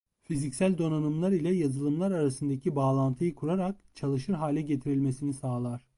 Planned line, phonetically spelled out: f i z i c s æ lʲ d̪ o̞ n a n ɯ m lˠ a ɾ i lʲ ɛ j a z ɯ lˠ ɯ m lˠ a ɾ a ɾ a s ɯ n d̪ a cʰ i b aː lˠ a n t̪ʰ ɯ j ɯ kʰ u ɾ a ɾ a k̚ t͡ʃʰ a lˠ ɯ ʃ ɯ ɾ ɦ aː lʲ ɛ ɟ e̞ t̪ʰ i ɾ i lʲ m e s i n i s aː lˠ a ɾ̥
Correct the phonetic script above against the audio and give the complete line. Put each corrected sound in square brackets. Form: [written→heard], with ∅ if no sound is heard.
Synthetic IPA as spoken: f i z i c s æ lʲ d̪ o̞ n a n ɯ m lˠ a ɾ i lʲ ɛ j a z ɯ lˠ ɯ m lˠ a ɾ a ɾ a s ɯ n d̪ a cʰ i b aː lˠ a n t̪ʰ ɯ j ɯ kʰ u ɾ a ɾ a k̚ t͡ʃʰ a lˠ ɯ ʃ ɯ ɾ ɦ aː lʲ ɛ ɟ e̞ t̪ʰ i ɾ i lʲ m e s i n i s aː lˠ a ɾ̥